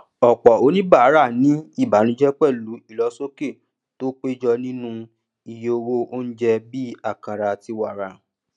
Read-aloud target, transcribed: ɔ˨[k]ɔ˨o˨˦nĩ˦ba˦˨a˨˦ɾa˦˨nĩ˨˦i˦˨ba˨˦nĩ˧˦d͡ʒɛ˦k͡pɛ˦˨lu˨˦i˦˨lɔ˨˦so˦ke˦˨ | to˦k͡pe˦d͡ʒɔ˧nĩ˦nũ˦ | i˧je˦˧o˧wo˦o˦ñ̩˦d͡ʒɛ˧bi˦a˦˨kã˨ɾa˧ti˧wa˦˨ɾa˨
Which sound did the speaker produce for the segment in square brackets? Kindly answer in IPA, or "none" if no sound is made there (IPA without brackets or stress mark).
k͡p